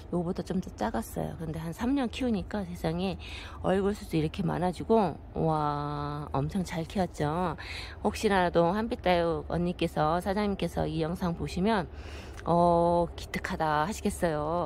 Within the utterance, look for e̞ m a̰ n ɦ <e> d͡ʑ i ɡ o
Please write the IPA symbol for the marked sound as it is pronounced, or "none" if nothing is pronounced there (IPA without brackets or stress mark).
a